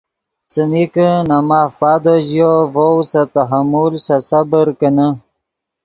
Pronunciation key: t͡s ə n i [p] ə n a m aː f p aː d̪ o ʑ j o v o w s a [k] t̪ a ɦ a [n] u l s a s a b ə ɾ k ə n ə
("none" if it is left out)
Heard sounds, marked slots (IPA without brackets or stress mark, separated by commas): k, none, m